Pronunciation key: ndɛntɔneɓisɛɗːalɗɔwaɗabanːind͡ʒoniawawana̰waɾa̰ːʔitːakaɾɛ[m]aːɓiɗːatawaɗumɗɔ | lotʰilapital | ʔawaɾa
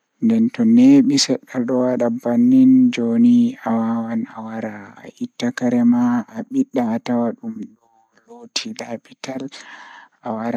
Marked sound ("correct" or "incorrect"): correct